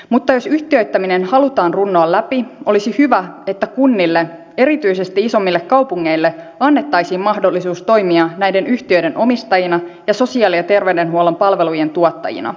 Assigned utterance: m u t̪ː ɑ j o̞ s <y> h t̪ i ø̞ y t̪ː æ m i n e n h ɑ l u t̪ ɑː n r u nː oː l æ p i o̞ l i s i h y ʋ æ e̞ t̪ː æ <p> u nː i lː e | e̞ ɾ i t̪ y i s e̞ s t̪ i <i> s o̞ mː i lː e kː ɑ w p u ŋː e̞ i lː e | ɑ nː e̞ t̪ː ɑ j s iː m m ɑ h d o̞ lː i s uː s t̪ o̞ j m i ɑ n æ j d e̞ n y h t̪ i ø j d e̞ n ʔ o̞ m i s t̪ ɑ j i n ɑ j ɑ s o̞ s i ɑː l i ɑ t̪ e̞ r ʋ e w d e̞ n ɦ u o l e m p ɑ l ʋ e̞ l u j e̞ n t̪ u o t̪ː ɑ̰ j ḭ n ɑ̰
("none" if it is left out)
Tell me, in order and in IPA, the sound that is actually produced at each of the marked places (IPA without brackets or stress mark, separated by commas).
y, k, i